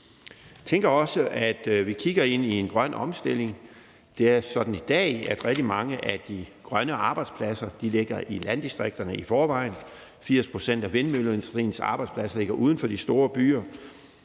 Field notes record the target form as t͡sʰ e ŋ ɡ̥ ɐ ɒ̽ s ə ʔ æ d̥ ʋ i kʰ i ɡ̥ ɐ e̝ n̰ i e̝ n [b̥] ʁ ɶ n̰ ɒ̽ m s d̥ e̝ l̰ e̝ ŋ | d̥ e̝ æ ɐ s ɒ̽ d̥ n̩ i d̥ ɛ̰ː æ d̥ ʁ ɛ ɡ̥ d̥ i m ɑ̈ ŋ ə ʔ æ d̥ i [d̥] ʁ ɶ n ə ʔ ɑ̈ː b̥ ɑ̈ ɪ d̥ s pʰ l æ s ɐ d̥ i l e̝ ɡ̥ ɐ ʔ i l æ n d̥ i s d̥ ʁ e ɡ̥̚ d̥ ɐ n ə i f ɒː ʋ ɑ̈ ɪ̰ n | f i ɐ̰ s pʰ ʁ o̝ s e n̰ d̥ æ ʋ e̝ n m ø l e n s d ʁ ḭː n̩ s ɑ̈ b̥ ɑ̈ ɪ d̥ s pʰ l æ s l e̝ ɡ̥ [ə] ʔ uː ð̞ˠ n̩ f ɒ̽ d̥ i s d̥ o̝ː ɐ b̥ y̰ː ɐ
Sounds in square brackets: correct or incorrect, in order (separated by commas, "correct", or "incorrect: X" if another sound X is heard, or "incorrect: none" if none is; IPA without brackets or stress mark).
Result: incorrect: ɡ̥, incorrect: ɡ̥, incorrect: ɐ